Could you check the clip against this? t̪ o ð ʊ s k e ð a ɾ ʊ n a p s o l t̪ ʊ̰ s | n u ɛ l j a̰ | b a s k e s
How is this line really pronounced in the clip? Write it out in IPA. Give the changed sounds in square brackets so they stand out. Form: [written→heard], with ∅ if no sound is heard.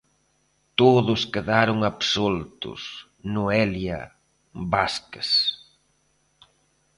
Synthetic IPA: t̪ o ð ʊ s k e ð a ɾ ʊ [n→ŋ] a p s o l t̪ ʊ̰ s | n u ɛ l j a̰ | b a s k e s